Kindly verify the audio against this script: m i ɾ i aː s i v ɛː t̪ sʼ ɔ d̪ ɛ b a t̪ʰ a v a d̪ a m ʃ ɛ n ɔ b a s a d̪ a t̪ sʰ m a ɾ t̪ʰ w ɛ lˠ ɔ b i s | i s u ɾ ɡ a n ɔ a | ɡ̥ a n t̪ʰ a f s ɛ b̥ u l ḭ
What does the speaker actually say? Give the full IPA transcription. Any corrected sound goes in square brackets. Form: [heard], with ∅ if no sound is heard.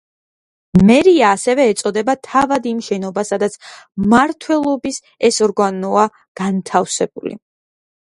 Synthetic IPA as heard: m [ɛ] ɾ i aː s [ɛ] v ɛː t̪ sʼ ɔ d̪ ɛ b a t̪ʰ a v a d̪ [i] m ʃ ɛ n ɔ b a s a d̪ a t̪ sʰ m a ɾ t̪ʰ w ɛ lˠ ɔ b i s | [ɛ] s [ɔ] ɾ ɡ a n ɔ a | ɡ̥ a n t̪ʰ a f s ɛ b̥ u l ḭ